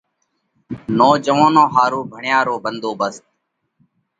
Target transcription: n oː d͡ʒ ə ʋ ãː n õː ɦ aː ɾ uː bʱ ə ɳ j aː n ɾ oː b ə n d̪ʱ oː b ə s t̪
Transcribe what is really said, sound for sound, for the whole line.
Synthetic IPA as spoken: n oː d͡ʒ ə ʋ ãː n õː ɦ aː ɾ uː bʱ ə ɳ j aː ɾ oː b ə n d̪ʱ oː b ə s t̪